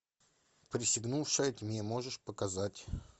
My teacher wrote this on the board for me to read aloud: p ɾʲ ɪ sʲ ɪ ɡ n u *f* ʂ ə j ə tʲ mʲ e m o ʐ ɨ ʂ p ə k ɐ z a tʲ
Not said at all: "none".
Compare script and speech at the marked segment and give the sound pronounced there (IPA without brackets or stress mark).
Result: f